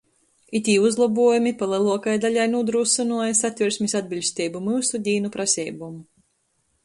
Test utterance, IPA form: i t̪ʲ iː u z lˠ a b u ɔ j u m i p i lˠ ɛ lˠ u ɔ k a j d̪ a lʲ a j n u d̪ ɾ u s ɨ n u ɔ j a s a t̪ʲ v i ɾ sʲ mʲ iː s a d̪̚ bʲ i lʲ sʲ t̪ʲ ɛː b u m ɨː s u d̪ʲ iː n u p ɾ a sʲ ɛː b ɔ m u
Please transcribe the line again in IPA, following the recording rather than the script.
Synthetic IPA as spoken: i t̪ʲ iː u z lˠ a b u ɔ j u m i p a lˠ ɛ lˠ u ɔ k a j d̪ a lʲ a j n u d̪ ɾ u s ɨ n u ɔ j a s a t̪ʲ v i ɾ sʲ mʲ i s a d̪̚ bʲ i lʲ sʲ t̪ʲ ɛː b u m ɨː s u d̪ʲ iː n u p ɾ a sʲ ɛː b u m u